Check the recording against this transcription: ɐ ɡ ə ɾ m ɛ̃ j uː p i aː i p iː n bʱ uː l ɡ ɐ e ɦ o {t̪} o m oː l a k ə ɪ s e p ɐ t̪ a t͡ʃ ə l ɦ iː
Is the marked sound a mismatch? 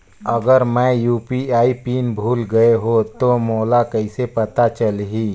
no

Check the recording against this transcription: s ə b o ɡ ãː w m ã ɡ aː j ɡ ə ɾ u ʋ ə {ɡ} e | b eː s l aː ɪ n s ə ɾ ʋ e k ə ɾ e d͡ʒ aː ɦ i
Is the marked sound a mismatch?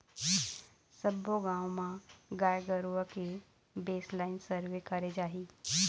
yes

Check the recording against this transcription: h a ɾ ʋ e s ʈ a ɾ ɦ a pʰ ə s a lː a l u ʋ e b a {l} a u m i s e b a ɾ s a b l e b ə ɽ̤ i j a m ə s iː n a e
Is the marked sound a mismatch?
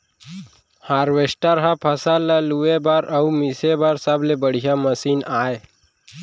yes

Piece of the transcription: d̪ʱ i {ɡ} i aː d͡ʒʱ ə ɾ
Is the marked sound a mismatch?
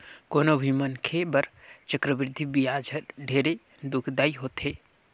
yes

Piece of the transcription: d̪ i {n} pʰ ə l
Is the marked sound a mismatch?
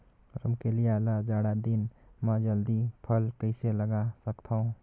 yes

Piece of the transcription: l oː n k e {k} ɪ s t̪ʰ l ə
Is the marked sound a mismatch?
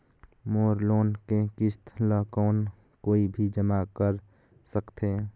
no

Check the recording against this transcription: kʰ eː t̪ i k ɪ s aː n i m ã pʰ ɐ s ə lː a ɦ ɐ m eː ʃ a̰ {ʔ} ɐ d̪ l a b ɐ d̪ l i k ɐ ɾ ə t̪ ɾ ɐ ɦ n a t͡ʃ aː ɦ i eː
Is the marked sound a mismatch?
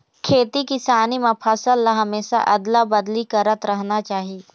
no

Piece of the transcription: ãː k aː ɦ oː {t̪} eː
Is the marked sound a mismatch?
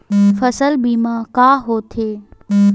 yes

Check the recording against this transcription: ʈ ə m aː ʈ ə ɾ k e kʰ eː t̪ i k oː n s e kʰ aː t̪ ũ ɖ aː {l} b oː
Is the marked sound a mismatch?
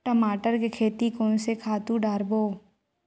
yes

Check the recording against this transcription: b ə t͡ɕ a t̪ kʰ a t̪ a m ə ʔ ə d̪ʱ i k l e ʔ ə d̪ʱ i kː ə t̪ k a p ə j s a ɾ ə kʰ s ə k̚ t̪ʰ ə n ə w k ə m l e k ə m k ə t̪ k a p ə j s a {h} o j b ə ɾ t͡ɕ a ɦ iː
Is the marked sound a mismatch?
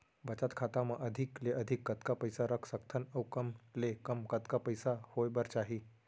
no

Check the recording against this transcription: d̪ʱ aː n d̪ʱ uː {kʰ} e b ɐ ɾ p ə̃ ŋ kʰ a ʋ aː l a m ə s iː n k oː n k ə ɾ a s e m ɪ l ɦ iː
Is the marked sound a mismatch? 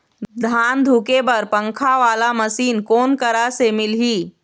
yes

